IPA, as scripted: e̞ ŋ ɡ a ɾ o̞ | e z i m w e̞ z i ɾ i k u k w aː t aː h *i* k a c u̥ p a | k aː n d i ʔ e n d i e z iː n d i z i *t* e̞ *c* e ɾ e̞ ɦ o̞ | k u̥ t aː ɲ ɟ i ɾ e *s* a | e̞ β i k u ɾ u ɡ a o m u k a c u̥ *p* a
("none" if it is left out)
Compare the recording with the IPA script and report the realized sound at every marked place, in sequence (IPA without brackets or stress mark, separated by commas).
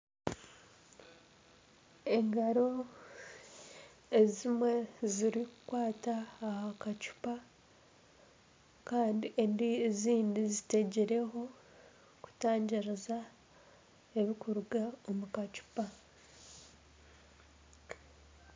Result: a, t, ɟ, z, p